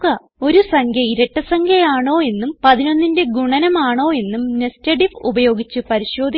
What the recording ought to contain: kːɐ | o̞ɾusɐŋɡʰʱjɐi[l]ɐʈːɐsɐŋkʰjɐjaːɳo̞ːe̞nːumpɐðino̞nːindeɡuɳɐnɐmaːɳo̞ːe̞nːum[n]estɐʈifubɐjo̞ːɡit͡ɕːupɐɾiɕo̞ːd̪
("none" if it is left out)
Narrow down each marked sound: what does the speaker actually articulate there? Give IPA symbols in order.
ɾ, n

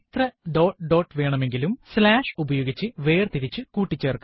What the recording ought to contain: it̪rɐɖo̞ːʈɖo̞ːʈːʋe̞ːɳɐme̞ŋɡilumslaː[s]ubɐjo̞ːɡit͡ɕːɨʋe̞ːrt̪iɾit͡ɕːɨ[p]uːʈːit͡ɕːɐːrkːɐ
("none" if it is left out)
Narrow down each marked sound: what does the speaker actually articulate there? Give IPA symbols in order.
ʂ, k

